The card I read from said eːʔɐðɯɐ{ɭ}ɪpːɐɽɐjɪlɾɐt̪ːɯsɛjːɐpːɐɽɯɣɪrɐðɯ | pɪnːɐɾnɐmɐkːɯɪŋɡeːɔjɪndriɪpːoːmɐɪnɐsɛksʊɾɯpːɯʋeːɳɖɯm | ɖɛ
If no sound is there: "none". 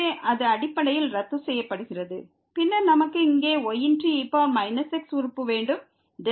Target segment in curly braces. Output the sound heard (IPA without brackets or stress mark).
ɽ